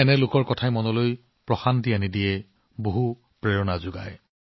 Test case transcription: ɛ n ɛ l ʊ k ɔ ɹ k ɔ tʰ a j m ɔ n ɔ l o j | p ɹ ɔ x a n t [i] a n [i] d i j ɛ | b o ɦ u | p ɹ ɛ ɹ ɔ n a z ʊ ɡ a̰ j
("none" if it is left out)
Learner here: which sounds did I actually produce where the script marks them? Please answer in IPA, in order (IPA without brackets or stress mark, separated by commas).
i, i